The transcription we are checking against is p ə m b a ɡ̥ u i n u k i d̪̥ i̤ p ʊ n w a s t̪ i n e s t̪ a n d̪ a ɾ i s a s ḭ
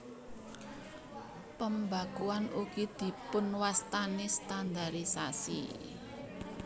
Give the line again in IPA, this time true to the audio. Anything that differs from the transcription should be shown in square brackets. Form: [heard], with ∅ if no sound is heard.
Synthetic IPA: p ə m b a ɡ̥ u [a] n u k i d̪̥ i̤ p ʊ n w a s t̪ [a] n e s t̪ a n d̪ a ɾ i s a s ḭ